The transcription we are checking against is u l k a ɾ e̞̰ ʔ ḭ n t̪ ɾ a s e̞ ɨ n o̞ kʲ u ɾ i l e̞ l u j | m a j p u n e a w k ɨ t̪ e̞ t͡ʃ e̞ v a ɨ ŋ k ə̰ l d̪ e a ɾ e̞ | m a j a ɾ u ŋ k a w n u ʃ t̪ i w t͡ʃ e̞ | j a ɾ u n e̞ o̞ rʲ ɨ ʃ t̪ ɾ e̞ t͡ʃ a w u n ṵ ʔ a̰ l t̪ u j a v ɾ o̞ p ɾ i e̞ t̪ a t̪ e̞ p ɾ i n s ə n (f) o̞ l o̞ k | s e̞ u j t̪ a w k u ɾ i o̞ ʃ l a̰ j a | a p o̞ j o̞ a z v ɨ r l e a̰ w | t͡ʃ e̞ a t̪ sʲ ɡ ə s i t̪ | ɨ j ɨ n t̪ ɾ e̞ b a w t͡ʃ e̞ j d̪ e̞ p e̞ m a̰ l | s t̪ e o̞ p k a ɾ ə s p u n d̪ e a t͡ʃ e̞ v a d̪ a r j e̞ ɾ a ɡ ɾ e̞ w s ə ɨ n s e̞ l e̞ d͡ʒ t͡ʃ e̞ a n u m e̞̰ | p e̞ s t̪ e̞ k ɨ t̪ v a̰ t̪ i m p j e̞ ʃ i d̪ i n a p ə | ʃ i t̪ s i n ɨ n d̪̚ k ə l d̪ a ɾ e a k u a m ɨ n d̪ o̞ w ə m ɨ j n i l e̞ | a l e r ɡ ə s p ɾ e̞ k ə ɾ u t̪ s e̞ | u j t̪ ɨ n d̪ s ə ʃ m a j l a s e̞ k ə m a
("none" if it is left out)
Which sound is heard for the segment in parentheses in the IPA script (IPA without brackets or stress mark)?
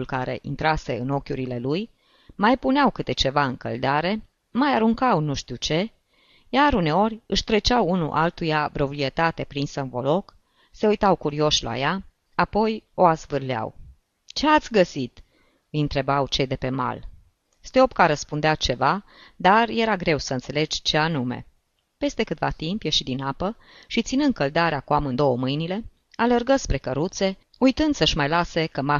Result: v